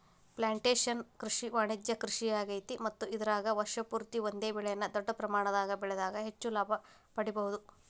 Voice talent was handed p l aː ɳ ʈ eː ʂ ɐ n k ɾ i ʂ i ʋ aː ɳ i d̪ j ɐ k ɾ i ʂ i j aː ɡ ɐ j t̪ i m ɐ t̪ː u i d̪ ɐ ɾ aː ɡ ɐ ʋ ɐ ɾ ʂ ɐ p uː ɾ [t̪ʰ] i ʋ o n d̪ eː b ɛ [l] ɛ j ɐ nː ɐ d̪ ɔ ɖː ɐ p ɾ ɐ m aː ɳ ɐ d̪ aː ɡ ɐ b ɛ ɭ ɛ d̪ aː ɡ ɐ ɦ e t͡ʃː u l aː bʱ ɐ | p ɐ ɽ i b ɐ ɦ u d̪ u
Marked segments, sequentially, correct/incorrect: incorrect, incorrect

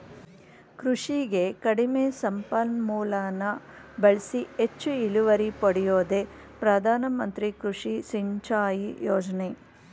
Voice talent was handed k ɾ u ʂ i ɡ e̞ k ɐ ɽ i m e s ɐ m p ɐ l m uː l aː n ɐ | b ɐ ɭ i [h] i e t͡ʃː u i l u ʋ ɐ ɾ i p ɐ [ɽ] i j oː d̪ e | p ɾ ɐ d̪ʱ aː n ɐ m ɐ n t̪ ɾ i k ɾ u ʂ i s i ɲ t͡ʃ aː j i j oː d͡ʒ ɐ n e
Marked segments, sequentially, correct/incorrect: incorrect, correct

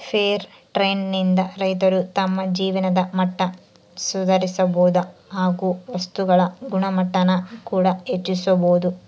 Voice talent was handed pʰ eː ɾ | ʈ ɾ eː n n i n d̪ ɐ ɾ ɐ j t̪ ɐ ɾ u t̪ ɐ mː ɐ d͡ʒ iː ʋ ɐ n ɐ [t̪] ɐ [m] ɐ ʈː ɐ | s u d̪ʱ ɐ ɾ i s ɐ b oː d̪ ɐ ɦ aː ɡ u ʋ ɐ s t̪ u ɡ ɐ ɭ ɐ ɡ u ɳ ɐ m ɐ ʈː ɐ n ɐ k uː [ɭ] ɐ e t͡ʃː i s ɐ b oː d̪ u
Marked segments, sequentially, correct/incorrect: incorrect, correct, incorrect

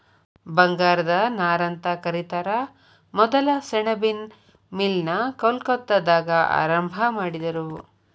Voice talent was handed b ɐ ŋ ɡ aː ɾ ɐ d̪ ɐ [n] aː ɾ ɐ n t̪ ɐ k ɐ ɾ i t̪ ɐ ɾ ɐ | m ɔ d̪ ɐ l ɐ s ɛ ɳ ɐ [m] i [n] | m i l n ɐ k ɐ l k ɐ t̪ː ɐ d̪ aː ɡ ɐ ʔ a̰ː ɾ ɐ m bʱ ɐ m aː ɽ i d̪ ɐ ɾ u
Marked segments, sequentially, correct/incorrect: correct, incorrect, correct

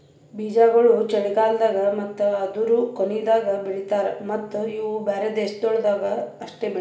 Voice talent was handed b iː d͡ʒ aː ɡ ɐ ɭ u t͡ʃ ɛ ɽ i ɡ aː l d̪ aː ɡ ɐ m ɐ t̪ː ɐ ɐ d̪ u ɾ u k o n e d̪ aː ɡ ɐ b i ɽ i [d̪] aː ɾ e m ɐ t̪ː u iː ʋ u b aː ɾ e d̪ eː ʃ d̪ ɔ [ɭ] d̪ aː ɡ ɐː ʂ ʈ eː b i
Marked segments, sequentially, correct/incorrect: incorrect, correct

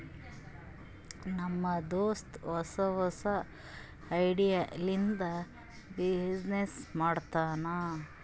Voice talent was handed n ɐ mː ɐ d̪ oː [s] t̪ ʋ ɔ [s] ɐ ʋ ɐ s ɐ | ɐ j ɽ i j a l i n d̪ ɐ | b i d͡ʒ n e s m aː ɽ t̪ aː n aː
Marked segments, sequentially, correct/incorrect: correct, correct

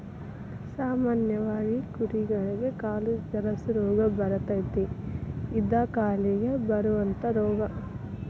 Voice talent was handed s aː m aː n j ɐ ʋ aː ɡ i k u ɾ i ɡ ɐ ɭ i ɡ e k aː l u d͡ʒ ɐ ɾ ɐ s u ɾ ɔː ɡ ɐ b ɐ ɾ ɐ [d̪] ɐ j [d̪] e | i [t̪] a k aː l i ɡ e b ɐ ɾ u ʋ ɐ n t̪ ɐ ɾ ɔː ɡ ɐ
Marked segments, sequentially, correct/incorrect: incorrect, incorrect, incorrect

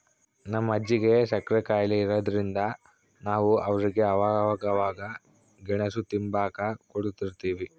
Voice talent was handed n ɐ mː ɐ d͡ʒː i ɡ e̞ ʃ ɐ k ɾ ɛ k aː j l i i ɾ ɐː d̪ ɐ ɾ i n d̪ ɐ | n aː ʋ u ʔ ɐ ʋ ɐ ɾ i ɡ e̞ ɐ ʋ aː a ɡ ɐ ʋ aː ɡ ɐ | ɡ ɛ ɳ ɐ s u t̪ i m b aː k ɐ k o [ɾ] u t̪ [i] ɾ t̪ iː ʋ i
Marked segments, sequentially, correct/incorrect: incorrect, correct

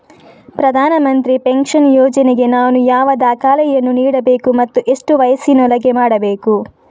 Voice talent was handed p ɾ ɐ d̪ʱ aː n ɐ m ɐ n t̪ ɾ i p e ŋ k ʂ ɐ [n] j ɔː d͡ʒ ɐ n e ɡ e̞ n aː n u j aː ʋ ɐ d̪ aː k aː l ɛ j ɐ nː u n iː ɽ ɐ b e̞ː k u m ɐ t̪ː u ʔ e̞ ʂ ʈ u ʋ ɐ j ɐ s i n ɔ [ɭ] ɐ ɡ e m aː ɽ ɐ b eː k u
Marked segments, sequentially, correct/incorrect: correct, incorrect

